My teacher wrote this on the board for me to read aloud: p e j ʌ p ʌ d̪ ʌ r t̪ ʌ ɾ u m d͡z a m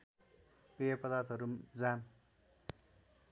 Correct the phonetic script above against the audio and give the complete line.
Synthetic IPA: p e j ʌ p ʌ d̪ a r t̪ ʌ ɾ u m d͡z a m